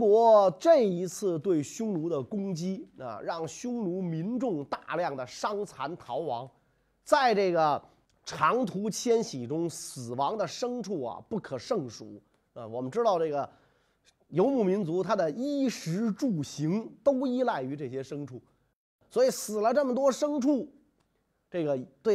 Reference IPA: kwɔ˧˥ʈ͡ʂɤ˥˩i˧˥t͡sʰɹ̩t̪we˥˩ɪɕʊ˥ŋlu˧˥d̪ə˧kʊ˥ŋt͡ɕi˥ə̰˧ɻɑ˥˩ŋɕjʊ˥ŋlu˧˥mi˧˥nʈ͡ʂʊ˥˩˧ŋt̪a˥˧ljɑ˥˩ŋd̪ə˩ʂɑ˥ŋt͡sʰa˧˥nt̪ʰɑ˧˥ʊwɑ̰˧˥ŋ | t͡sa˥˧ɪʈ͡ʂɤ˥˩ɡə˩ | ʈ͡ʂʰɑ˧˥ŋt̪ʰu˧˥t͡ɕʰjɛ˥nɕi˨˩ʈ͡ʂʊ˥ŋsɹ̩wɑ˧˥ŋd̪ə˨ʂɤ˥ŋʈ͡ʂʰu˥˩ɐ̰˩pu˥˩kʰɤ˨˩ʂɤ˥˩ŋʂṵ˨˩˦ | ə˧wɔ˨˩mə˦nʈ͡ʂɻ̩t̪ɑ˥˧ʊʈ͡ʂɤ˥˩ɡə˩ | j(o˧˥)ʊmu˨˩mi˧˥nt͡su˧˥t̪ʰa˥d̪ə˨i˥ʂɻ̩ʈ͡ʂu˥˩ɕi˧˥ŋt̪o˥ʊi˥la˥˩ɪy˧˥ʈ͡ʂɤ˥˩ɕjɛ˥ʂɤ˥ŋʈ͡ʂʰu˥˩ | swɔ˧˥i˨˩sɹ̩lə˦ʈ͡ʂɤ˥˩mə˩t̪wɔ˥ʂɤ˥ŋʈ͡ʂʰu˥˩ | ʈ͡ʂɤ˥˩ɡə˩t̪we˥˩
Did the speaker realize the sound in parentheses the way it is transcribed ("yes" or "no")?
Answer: yes